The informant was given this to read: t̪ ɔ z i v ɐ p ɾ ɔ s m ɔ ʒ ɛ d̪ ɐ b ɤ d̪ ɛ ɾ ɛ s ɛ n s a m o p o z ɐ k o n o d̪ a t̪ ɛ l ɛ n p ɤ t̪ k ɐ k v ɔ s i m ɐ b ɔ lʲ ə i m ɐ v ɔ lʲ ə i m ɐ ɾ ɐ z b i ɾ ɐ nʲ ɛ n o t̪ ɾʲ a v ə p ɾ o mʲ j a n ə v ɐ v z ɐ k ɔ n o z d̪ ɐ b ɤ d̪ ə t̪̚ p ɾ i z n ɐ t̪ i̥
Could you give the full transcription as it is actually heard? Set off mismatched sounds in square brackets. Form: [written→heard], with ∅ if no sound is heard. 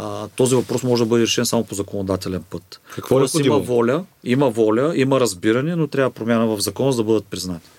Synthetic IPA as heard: t̪ ɔ z i v ɐ p ɾ ɔ s m ɔ ʒ ɛ d̪ ɐ b ɤ d̪ ɛ ɾ ɛ [s→ʃ] ɛ n s a m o p o z ɐ k o n o d̪ a t̪ ɛ l ɛ n p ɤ t̪ k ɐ k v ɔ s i m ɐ [b→v] ɔ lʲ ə i m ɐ v ɔ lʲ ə i m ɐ ɾ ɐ z b i ɾ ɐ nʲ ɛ n o t̪ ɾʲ a v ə p ɾ o mʲ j a n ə v ɐ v z ɐ k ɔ n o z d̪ ɐ b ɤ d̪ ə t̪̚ p ɾ i z n [ɐ→a] t̪ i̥